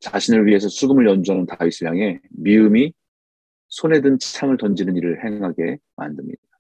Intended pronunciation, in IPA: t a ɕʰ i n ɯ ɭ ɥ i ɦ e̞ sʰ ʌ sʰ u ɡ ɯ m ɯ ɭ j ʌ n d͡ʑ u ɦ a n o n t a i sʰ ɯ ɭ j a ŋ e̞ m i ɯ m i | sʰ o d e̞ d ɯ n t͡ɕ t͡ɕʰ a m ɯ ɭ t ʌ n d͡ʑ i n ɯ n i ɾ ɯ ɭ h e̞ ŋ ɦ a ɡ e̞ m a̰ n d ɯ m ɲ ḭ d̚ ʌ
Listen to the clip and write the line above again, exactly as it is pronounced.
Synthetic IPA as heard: t͡ɕ a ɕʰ i n ɯ ɭ ɥ i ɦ e̞ sʰ ʌ sʰ u ɡ ɯ m ɯ ɭ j ʌ n d͡ʑ u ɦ a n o n t a i sʰ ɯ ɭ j a ŋ e̞ m i ɯ m i | sʰ o n e̞ d ɯ n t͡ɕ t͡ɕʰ a m ɯ ɭ t ʌ n d͡ʑ i n ɯ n i ɾ ɯ ɭ h e̞ ŋ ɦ a ɡ e̞ m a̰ n d ɯ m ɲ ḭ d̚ a